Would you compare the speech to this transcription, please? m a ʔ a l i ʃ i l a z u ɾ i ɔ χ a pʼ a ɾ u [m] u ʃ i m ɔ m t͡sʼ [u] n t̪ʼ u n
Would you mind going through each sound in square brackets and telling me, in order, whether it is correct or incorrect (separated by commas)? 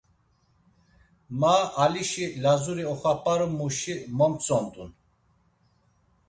correct, incorrect